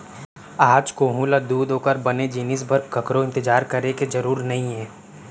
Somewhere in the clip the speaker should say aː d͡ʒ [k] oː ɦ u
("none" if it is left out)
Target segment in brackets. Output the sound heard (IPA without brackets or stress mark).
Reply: k